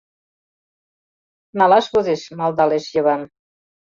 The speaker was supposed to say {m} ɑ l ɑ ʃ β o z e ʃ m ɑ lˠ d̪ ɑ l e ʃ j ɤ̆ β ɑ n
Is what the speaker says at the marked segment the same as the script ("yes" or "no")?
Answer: no